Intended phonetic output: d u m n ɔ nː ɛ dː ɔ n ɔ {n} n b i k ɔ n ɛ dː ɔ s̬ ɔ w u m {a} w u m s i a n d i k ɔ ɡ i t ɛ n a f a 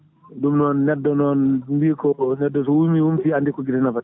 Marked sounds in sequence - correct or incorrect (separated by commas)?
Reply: correct, incorrect